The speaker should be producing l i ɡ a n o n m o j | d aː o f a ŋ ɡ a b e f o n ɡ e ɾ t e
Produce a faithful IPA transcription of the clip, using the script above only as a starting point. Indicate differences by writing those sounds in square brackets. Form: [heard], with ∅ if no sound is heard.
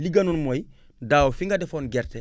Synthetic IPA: l i ɡ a n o n m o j | d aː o f [i] ŋ ɡ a [d] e f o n ɡ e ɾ t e